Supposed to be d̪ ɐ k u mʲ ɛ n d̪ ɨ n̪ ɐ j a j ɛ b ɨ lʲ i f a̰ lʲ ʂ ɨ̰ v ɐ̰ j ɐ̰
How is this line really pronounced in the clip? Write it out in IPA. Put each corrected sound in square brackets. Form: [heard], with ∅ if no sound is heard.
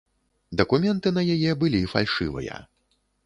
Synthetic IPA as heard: d̪ ɐ k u mʲ ɛ n [t̪] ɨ n̪ ɐ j a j ɛ b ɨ lʲ i f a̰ lʲ ʂ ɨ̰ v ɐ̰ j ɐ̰